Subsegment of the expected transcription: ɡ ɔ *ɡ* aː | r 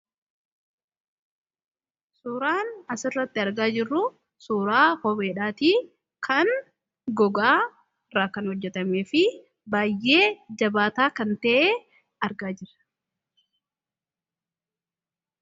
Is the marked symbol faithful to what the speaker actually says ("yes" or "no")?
yes